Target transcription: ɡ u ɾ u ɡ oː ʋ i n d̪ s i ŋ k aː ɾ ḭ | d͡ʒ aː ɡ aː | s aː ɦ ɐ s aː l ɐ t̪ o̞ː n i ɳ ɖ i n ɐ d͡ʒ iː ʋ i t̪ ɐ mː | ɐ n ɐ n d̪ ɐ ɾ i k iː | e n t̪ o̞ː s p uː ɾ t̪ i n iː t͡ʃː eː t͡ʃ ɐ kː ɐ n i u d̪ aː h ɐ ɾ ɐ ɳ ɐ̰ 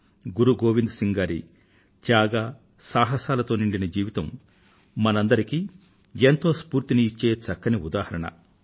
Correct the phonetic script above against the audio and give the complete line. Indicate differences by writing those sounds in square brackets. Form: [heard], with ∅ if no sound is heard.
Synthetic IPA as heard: ɡ u ɾ u ɡ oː ʋ i n d̪ s i ŋ [ɡ] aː ɾ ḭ | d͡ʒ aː ɡ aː | s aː ɦ ɐ s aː l ɐ t̪ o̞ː n i ɳ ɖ i n ɐ d͡ʒ iː ʋ i t̪ ɐ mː | ɐ n ɐ n d̪ ɐ ɾ i k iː | e n t̪ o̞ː s p uː ɾ t̪ i n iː t͡ʃː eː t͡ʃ ɐ kː ɐ n i u d̪ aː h ɐ ɾ ɐ ɳ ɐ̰